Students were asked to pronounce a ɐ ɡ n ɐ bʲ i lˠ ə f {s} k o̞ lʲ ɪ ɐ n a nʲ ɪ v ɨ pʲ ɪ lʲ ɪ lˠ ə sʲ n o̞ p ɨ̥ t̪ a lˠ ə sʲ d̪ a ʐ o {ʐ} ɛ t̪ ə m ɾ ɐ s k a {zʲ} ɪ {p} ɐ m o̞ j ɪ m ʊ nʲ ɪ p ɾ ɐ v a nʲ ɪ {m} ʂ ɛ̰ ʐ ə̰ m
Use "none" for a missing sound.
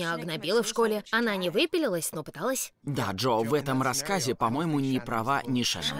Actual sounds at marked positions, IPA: ʂ, v, zʲ, p, none

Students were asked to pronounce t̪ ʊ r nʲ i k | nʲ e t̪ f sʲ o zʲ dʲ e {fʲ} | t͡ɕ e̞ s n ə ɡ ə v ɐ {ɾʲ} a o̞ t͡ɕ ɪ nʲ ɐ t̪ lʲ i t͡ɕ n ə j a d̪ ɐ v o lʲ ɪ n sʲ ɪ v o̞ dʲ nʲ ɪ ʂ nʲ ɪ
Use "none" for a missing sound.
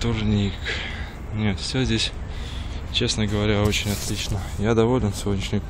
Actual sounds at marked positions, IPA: sʲ, ɾʲ

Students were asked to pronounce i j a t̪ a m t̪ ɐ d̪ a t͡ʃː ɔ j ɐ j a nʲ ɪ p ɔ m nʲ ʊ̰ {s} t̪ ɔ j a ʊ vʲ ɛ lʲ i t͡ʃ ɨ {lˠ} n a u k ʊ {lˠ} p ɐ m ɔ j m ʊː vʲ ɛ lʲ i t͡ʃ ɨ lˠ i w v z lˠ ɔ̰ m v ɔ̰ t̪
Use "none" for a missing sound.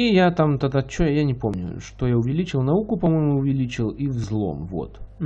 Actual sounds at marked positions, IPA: ʂ, lˠ, none

